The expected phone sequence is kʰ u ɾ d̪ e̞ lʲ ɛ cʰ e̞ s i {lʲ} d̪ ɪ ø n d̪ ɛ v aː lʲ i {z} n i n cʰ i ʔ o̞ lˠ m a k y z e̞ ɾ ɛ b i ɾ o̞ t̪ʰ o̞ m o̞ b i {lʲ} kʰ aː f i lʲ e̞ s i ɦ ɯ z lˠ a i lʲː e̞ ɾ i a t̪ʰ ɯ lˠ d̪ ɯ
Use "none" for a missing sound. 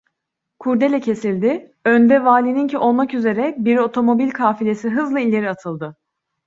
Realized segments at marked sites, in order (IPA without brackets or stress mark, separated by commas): lʲ, none, lʲ